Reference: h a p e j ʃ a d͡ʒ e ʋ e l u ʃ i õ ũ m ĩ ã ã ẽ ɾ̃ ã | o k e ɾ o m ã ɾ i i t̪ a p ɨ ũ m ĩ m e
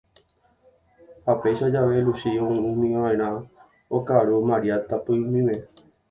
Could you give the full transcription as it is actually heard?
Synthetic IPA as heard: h a p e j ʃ a d͡ʒ a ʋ e l u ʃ i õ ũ m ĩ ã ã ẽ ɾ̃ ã | o k a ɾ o m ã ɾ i a t̪ a p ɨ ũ m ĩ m e